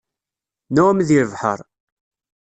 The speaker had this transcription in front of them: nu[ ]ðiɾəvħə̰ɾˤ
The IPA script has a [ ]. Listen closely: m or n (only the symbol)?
m